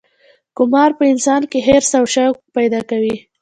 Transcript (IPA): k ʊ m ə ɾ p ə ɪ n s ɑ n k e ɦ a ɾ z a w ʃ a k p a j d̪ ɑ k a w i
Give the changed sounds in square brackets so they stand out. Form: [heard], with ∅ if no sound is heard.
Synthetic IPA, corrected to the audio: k ʊ m [ɑ] ɾ p ə ɪ n s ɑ n k e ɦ [e] ɾ [s] a w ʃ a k p a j d̪ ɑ k a w i